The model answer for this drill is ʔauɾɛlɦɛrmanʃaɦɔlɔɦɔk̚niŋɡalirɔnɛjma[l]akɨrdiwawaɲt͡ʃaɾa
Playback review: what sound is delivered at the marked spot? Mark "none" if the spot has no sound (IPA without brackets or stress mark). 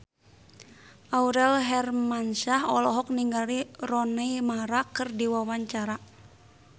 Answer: ɾ